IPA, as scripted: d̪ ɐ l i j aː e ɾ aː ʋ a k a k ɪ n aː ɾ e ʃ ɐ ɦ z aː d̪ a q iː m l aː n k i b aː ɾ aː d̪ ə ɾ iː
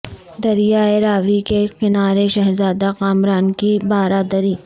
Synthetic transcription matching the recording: d̪ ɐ ɾ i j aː e ɾ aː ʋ i k e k ɪ n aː ɾ e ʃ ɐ ɦ z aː d̪ a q aː m ɾ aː n k i b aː ɾ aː d̪ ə ɾ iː